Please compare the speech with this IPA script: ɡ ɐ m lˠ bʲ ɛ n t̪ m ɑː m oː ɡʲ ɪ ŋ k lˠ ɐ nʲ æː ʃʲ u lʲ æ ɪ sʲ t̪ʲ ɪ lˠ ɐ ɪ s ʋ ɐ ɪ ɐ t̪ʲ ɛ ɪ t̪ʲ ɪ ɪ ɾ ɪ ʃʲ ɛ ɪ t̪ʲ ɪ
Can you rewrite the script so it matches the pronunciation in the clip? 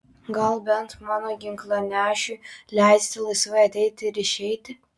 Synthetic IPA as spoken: ɡ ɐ lˠ bʲ ɛ n t̪ m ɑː n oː ɡʲ ɪ ŋ k lˠ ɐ nʲ æː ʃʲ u lʲ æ ɪ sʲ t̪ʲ ɪ lˠ ɐ ɪ s ʋ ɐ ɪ ɐ t̪ʲ ɛ ɪ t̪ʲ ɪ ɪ ɾ ɪ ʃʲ ɛ ɪ t̪ʲ ɪ